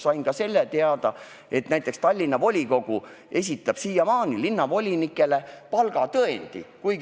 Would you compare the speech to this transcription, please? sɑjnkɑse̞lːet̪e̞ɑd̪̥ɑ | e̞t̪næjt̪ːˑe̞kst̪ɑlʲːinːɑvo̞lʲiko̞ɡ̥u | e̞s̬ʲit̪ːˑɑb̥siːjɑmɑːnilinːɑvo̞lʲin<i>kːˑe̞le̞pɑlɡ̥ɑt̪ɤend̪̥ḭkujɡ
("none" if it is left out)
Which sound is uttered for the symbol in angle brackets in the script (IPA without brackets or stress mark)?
i